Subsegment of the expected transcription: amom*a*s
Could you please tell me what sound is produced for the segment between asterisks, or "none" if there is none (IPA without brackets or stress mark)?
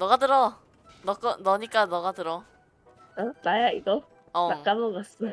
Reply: a